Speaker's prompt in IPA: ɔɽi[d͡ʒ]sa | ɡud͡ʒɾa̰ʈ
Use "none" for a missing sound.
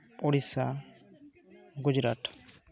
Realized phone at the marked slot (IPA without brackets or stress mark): none